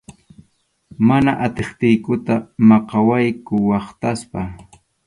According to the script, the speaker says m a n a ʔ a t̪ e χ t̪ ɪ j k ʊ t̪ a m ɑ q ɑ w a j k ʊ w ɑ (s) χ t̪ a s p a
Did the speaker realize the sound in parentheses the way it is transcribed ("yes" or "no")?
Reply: no